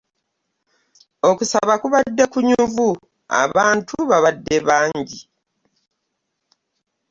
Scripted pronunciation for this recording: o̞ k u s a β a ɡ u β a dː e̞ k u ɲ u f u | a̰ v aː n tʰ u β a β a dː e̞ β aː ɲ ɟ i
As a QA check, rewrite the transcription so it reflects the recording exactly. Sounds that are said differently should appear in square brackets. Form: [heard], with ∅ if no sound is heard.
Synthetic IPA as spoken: o̞ k u s a β a [k] u β a dː e̞ k u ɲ u [v] u | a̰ [β] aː n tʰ u β a β a dː e̞ β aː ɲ ɟ i